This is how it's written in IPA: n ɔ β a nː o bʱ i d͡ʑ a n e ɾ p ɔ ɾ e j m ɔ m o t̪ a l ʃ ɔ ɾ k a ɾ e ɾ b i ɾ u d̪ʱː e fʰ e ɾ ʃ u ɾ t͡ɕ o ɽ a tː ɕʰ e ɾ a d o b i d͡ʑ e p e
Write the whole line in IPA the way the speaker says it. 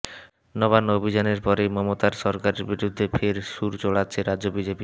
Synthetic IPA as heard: n ɔ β a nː o bʱ i d͡ʑ a n e ɾ p ɔ ɾ e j m ɔ m o t̪ a ɾ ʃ ɔ ɾ k a ɾ e ɾ b i ɾ u d̪ʱː e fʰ e ɾ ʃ u ɾ t͡ɕ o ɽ a tː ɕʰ e ɾ a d o b i d͡ʑ e p i